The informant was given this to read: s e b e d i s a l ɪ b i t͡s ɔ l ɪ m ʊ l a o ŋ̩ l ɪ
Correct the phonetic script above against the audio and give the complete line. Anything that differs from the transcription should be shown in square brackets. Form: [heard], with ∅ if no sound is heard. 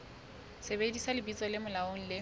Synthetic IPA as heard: s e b e d i s a l ɪ b i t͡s ɔ l ɪ m ʊ l a o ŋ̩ l ɪ